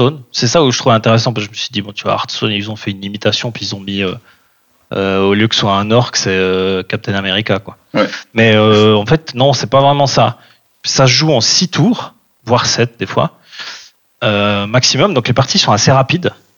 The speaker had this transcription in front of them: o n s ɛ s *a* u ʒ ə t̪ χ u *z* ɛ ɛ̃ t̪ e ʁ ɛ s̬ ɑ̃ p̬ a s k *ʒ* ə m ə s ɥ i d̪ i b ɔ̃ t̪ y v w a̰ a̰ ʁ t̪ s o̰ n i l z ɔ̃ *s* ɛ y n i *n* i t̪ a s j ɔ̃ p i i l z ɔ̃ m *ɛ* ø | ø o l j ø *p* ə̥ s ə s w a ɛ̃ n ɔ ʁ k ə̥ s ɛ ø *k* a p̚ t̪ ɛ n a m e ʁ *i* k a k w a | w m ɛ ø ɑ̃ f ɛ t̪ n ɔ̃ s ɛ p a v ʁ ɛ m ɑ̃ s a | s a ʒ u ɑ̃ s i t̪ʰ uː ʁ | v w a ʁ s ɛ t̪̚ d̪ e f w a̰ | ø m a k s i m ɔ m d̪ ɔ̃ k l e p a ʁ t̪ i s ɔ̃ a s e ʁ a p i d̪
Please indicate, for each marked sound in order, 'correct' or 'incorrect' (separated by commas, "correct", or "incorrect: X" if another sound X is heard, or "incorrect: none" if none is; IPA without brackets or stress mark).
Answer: correct, incorrect: v, correct, incorrect: f, incorrect: m, incorrect: i, incorrect: k, correct, correct